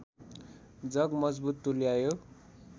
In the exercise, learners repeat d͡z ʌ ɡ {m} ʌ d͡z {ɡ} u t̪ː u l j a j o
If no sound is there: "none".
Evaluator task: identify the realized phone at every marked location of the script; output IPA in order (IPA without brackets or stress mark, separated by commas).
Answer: m, b